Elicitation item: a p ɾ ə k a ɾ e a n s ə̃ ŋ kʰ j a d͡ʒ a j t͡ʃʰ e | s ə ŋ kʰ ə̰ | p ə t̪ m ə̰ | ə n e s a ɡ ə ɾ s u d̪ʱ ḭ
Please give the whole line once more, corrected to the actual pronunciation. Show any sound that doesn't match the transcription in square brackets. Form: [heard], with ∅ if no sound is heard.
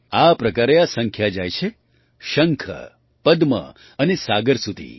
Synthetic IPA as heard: a p ɾ ə k a ɾ e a [∅] s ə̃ ŋ kʰ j a d͡ʒ a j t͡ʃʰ e | [ʃ] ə ŋ kʰ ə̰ | p ə [d̪] m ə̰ | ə n e s a ɡ ə ɾ s u d̪ʱ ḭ